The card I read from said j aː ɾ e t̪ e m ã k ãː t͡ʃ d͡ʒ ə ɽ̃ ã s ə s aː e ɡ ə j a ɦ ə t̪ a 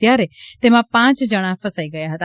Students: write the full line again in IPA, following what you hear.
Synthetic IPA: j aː ɾ e t̪ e m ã p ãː t͡ʃ d͡ʒ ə ɽ̃ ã f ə s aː i ɡ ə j a ɦ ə t̪ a

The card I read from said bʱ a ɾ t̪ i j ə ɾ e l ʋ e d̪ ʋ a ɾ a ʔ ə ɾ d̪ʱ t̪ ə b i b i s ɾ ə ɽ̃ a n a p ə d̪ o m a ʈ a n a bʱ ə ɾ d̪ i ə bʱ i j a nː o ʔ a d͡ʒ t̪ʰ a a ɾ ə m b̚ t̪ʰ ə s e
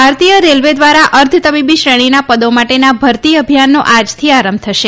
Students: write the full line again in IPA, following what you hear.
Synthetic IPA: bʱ a ɾ t̪ i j ə ɾ e l ʋ e d̪ ʋ a ɾ a ʔ ə ɾ d̪ʱ t̪ ə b i b i ʃ ɾ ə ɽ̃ i n a p ə d̪ o m a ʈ e n a bʱ ə ɾ t̪ i ə bʱ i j a nː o ʔ a d͡ʒ t̪ʰ i a ɾ ə m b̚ t̪ʰ ə ʃ e

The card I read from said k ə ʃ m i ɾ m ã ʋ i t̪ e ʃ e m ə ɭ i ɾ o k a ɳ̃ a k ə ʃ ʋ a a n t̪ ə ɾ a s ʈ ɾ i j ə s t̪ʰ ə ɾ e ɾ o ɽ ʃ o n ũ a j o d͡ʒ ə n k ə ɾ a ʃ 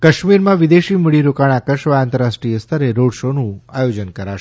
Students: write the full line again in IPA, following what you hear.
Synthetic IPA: k ə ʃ m i ɾ m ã ʋ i d̪ e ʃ i m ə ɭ i ɾ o k a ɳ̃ a k ə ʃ ʋ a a n t̪ ə ɾ a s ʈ ɾ i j ə s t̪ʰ ə ɾ e ɾ o ɽ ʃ o n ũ a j o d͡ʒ ə n k ə ɾ a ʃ

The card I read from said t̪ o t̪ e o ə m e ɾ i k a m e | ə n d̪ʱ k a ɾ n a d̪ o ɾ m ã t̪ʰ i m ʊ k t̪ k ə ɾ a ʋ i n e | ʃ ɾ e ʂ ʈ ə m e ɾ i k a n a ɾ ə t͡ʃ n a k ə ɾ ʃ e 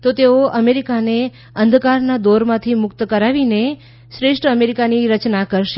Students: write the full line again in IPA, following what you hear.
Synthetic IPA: t̪ o t̪ e o ə m e ɾ i k a n e | ə n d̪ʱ k a ɾ n a d̪ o ɾ m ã t̪ʰ i m ʊ k t̪ k ə ɾ a ʋ i n e | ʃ ɾ e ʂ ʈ ə m e ɾ i k a n i ɾ ə t͡ʃ n a k ə ɾ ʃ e

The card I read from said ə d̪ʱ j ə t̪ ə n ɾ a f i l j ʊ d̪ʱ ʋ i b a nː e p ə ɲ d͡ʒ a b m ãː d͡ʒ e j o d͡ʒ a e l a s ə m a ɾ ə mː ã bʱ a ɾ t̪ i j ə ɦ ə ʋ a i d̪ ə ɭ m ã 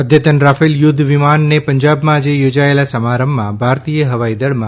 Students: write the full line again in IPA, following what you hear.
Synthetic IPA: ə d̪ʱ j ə t̪ ə n ɾ a f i l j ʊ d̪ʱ ʋ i m a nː e p ə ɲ d͡ʒ a b m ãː d͡ʒ e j o d͡ʒ a e l a s ə m a ɾ ə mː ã bʱ a ɾ t̪ i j ə ɦ ə ʋ a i d̪ ə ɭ m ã

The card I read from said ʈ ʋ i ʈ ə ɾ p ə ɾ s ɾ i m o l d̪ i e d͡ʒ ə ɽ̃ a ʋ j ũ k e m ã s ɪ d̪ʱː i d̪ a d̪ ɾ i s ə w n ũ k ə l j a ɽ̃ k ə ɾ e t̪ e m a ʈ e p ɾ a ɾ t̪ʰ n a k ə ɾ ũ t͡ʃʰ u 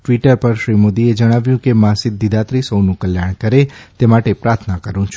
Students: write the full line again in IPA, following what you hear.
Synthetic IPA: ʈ ʋ i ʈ ə ɾ p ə ɾ ʃ ɾ i m o d̪ i e d͡ʒ ə ɽ̃ a ʋ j ũ k e m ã s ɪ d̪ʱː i d̪ a t̪ ɾ i s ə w n ũ k ə l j a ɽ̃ k ə ɾ e t̪ e m a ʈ e p ɾ a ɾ t̪ʰ n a k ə ɾ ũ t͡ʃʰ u

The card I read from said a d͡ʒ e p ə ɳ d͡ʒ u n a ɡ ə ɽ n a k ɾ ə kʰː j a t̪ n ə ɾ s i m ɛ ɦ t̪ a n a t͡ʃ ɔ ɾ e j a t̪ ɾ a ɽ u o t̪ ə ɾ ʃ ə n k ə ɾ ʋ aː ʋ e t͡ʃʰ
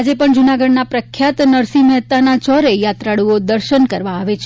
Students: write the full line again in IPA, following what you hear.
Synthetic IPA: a d͡ʒ e p ə ɳ d͡ʒ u n a ɡ ə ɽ n a p ɾ ə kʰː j a t̪ n ə ɾ s i m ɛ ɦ t̪ a n a t͡ʃ ɔ ɾ e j a t̪ ɾ a ɽ u o d̪ ə ɾ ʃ ə n k ə ɾ ʋ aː ʋ e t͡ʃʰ

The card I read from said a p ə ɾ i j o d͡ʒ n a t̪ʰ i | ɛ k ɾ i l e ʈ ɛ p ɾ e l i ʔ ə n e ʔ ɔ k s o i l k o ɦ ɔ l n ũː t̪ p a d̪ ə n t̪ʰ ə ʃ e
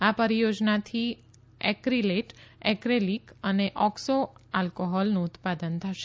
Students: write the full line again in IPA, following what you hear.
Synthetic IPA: a p ə ɾ i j o d͡ʒ n a t̪ʰ i | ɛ k ɾ i l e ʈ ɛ k ɾ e l i k ə n e ʔ ɔ k s o a l k o ɦ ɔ l n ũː t̪ p a d̪ ə n t̪ʰ ə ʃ e

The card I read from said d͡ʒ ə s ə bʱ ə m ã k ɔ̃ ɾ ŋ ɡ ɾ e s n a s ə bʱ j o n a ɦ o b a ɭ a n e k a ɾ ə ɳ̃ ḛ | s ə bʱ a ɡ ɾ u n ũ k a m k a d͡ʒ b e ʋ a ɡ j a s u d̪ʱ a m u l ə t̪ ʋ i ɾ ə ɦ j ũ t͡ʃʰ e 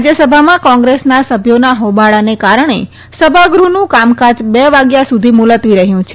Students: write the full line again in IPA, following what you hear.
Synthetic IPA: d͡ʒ ə s ə bʱ a m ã k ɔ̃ ŋ ɡ ɾ e s n a s ə bʱ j o n a ɦ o b a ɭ a n e k a ɾ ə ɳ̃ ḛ | s ə bʱ a ɡ ɾ u n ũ k a m k a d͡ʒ b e ʋ a ɡ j a s u d̪ʱ i m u l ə t̪ ʋ i ɾ ə ɦ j ũ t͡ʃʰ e

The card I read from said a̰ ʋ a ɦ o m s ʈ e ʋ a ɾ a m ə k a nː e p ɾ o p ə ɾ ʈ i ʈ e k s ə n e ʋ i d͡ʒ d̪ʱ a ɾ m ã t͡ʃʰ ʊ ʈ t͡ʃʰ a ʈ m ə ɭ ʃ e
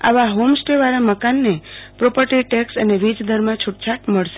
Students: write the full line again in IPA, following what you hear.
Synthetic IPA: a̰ ʋ a ɦ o m s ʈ e ʋ a ɾ a m ə k a nː e p ɾ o p ə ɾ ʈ i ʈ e k s ə n e ʋ i d͡ʒ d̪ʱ ə ɾ m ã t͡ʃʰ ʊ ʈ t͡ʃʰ a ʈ m ə ɭ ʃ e

